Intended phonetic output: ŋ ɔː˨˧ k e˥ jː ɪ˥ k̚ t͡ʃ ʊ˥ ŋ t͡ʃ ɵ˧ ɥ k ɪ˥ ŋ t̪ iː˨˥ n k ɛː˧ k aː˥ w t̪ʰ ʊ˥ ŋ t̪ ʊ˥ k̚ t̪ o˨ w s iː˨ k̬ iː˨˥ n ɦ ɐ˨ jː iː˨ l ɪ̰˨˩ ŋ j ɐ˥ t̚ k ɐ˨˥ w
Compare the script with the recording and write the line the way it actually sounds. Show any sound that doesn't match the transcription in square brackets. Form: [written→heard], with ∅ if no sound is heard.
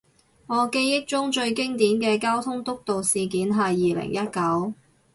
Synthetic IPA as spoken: ŋ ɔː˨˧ k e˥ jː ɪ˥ k̚ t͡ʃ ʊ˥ ŋ t͡ʃ ɵ˧ ɥ k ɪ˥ ŋ t̪ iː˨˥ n k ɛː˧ k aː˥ w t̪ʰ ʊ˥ ŋ t̪ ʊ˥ k̚ t̪ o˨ w s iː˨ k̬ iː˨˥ n ɦ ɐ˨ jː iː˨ l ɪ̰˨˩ ŋ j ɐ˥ t̚ k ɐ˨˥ w